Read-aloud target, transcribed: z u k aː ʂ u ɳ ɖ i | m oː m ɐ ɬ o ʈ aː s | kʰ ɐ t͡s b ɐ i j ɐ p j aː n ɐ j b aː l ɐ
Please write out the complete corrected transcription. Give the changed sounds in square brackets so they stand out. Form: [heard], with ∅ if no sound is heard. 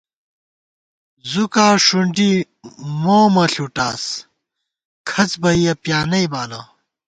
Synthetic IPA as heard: z u k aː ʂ u ɳ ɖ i | m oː m ɐ ɬ [u] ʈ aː s | kʰ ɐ t͡s b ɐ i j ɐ p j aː n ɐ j b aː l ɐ